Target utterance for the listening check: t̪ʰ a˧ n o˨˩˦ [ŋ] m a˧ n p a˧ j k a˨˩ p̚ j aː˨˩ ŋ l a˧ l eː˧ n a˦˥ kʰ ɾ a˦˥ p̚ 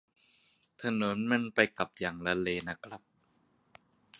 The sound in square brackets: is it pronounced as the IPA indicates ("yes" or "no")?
no